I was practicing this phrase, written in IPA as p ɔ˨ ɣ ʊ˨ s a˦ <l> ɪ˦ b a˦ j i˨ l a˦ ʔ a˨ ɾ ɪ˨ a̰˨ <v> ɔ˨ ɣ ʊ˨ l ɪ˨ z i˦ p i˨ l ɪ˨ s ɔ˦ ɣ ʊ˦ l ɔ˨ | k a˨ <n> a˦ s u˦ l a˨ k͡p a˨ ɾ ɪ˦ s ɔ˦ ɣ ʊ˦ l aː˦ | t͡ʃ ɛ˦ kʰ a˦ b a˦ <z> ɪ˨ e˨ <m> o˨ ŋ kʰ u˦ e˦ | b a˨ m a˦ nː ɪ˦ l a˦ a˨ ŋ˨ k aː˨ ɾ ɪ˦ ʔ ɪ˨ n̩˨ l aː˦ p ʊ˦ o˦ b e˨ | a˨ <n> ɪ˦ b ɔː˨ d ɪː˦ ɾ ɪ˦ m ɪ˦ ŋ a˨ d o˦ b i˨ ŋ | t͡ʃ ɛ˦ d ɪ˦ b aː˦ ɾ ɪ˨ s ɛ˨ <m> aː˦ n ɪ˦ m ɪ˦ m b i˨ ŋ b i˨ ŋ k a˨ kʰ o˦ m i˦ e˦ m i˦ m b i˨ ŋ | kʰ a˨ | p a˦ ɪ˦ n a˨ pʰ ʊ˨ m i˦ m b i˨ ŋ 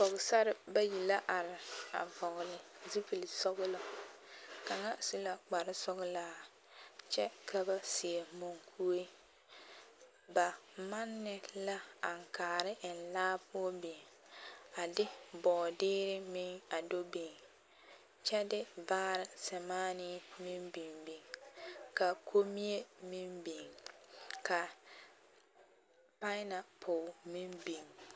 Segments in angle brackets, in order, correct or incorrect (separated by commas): incorrect, correct, incorrect, incorrect, correct, incorrect, correct